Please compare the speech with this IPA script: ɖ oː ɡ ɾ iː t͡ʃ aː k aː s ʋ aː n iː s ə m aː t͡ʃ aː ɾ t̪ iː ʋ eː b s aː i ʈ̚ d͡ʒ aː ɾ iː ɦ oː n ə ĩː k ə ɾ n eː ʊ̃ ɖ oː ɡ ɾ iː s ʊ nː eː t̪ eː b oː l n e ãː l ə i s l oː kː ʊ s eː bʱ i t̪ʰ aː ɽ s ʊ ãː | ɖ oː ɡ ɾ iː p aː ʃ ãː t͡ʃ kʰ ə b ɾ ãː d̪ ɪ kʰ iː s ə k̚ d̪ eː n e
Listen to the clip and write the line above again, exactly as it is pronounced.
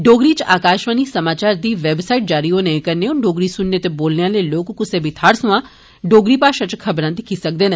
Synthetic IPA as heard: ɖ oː ɡ ɾ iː t͡ʃ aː k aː ʃ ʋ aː n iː s ə m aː t͡ʃ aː ɾ d̪ iː ʋ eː b s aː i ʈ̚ d͡ʒ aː ɾ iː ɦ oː n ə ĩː k ə ɾ n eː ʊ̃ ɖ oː ɡ ɾ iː s ʊ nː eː t̪ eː b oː l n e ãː l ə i l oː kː ʊ s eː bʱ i t̪ʰ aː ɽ s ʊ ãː | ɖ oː ɡ ɾ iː p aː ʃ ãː t͡ʃ kʰ ə b ɾ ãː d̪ ɪ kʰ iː s ə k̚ d̪ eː n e

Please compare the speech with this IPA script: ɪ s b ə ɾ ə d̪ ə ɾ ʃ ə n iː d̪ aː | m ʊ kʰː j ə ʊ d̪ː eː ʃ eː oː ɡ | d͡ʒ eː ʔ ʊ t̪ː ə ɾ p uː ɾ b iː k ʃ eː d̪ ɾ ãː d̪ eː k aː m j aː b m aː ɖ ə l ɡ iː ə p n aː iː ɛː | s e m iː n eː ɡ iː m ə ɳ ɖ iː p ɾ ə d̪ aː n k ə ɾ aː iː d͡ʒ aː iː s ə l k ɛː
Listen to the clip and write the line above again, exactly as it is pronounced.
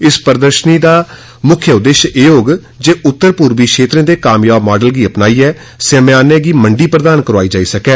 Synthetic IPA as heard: ɪ s p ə ɾ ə d̪ ə ɾ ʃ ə n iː d̪ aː | m ʊ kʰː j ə ʊ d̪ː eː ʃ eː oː ɡ | d͡ʒ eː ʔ ʊ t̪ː ə ɾ p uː ɾ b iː k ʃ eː t̪ ɾ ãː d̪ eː k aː m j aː b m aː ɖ ə l ɡ iː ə p n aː iː ɛː | s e m aː n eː ɡ iː m ə ɳ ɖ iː p ɾ ə d̪ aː n k ə ɾ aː iː d͡ʒ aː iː s ə k ɛː

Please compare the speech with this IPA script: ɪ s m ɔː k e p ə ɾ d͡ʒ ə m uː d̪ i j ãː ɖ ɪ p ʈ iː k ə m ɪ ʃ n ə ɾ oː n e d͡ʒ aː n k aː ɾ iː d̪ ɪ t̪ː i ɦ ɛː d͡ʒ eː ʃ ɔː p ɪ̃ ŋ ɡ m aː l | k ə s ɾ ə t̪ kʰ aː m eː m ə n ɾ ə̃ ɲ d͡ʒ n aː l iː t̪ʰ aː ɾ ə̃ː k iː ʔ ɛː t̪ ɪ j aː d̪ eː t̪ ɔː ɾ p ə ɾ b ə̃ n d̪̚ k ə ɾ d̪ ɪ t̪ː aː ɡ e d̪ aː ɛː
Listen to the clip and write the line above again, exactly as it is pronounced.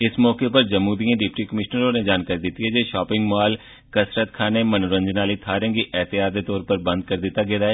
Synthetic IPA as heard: ɪ s m ɔː k e p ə ɾ d͡ʒ ə m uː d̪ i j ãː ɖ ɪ p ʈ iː k ə m ɪ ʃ n ə ɾ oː n e d͡ʒ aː n k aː ɾ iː d̪ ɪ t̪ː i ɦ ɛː d͡ʒ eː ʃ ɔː p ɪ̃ ŋ ɡ m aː l | k ə s ɾ ə t̪ kʰ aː n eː m ə n ɾ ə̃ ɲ d͡ʒ n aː l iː t̪ʰ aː ɾ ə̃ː ɡ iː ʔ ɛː t̪ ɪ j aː d̪ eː t̪ ɔː ɾ p ə ɾ b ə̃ n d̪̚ k ə ɾ d̪ ɪ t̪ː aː ɡ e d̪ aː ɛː

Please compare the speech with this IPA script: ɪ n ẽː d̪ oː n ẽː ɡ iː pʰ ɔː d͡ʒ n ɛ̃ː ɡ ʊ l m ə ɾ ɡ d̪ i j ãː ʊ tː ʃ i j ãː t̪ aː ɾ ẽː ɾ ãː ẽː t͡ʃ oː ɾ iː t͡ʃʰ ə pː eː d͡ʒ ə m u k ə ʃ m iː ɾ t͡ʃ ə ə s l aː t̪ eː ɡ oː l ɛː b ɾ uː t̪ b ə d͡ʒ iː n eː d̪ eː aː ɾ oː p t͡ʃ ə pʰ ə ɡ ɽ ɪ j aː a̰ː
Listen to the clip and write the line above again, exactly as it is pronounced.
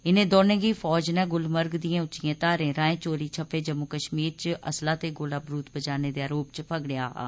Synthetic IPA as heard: ɪ n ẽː d̪ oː n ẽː ɡ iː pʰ ɔː d͡ʒ n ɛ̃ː ɡ ʊ l m ə ɾ ɡ d̪ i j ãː ʊ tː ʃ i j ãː t̪ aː ɾ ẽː ɾ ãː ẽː t͡ʃ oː ɾ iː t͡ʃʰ ə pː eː d͡ʒ ə m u k ə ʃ m iː ɾ t͡ʃ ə ə s l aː t̪ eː ɡ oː l aː b ɾ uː t̪ b ə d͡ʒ aː n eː d̪ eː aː ɾ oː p t͡ʃ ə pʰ ə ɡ ɽ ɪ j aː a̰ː

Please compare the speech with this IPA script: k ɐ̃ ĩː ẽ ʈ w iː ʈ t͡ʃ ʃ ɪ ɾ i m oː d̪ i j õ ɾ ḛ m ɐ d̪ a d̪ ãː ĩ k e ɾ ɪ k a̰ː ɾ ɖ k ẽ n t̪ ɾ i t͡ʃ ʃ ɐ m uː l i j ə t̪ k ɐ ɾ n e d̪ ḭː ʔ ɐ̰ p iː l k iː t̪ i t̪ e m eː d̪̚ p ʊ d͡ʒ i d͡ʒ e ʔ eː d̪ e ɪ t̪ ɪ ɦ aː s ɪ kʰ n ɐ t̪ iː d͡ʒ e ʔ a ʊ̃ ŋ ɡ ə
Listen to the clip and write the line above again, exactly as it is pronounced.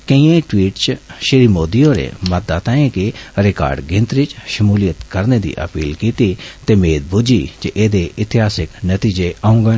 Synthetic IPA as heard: k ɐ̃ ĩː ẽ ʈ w iː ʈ t͡ʃ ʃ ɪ ɾ i m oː d̪ i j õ ɾ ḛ m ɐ d̪ a t̪ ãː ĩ k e ɾ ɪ k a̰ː ɾ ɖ ɡ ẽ n t̪ ɾ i t͡ʃ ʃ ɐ m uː l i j ə t̪ k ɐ ɾ n e d̪ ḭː ʔ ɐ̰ p iː l k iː t̪ i t̪ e m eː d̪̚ b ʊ d͡ʒ i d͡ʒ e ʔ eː d̪ e ɪ t̪ ɪ ɦ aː s ɪ k n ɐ t̪ iː d͡ʒ e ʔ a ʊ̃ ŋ ɡ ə

